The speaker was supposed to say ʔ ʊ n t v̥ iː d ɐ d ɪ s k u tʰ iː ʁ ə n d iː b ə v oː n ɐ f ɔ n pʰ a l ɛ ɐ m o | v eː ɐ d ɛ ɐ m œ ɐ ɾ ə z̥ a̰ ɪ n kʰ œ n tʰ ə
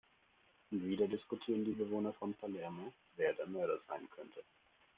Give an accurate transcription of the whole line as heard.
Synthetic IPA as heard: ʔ ʊ n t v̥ iː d ɐ d ɪ s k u tʰ iː ʁ ə n d iː b ə v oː n ɐ f ɔ n pʰ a l ɛ ɐ m o | v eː ɐ d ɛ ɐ m œ ɐ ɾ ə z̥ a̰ ɪ n kʰ œ n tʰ ə